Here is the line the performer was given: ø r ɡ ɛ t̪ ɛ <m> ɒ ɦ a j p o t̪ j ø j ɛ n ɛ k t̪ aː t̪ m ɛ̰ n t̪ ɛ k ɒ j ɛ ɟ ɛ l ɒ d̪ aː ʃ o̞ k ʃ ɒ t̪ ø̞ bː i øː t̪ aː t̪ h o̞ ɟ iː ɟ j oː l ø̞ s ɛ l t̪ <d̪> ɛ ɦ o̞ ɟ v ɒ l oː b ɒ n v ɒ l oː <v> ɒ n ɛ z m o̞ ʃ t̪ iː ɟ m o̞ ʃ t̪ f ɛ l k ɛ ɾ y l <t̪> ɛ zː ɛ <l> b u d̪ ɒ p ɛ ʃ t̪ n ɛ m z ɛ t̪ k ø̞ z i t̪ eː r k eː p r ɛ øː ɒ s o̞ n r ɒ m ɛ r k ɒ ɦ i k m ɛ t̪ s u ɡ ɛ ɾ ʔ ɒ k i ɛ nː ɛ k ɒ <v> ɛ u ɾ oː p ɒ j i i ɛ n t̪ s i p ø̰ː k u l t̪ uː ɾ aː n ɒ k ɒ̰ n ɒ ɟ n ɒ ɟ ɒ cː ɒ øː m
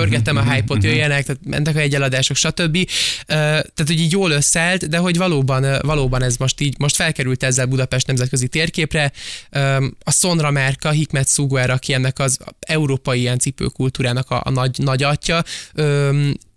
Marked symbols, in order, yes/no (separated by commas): yes, yes, no, yes, yes, no